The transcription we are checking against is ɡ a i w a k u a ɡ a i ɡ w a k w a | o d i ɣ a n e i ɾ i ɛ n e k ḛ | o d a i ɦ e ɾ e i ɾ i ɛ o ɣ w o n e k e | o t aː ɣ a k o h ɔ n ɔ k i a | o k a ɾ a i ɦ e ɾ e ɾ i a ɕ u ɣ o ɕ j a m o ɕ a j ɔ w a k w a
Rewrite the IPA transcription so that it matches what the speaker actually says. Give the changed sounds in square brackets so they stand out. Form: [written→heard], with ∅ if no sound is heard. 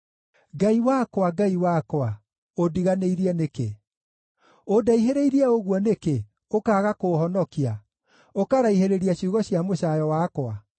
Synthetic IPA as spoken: ɡ a i w a k [u→w] a ɡ a i [ɡ→∅] w a k w a | o d i ɣ a n e i ɾ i ɛ n e k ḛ | o d a i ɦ e ɾ e i ɾ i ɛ o ɣ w [o→ɔ] n e k e | o [t→k] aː ɣ a k o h ɔ n ɔ k i a | o k a ɾ a i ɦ e ɾ e ɾ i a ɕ u ɣ [o→ɔ] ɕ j a m o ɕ a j ɔ w a k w a

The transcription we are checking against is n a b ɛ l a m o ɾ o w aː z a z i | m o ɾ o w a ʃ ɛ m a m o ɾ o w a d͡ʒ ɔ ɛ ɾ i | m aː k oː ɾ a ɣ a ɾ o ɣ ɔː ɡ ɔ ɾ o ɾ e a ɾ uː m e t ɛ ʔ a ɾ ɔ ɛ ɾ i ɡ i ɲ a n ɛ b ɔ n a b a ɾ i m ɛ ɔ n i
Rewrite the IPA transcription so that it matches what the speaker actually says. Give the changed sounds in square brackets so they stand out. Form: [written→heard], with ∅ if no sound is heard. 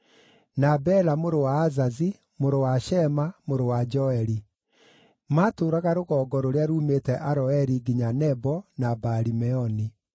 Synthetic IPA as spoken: n a b ɛ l a m o ɾ o w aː z a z i | m o ɾ o w a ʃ ɛ m a m o ɾ o w a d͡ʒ ɔ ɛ ɾ i | m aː [k→t] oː ɾ a ɣ a ɾ o ɣ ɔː ɡ ɔ ɾ o ɾ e a ɾ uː m e t ɛ ʔ a ɾ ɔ ɛ ɾ i ɡ i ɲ a n ɛ b ɔ n a b a ɾ i m ɛ ɔ n i

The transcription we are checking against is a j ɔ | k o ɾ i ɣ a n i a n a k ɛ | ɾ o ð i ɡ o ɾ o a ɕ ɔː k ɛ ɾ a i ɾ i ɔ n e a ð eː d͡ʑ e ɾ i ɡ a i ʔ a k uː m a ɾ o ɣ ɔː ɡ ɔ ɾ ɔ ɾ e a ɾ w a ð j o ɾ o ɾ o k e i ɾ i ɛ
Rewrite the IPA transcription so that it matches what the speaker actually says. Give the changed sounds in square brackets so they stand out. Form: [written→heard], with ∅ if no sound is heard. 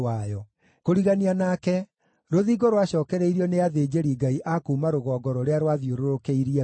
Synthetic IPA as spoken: a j ɔ | k o ɾ i ɣ a n i a n a k ɛ | ɾ o ð i ɡ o ɾ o a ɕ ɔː k ɛ ɾ [a→ɛ] i ɾ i ɔ n e a ð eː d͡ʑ e ɾ i ɡ a i ʔ a k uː m a ɾ o ɣ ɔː ɡ ɔ ɾ ɔ ɾ e a ɾ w a ð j o ɾ o ɾ o k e i ɾ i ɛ

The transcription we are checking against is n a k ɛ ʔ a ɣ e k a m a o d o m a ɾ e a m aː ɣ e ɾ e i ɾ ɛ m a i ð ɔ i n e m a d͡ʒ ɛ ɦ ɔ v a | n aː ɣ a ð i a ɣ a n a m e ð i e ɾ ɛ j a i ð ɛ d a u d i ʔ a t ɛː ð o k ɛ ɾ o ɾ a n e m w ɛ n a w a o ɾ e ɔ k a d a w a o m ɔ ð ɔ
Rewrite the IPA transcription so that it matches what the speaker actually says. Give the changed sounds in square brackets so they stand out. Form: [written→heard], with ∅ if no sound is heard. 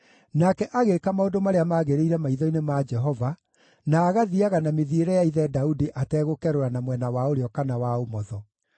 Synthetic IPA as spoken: n a k ɛ ʔ a ɣ e k a m a o d o m a ɾ e a m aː ɣ e ɾ e i ɾ ɛ m a i ð ɔ i n e m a d͡ʒ ɛ ɦ ɔ v a | n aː ɣ a ð i a ɣ a n a m e ð i e ɾ ɛ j a i ð ɛ d a u d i ʔ a t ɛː [ð→ɣ] o k ɛ ɾ o ɾ a n [e→a] m w ɛ n a w a o ɾ e ɔ k a [d→n] a w a o m ɔ ð ɔ

